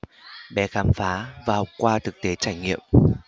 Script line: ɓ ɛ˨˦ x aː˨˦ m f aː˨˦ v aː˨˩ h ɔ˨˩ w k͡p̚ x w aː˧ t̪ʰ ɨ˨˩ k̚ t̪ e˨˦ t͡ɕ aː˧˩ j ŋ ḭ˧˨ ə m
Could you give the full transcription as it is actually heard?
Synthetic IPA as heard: ɓ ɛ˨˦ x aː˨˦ m f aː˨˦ v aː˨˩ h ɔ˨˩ w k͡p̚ k w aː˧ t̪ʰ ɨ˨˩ k̚ t̪ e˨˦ t͡ɕ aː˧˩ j ŋ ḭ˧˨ ə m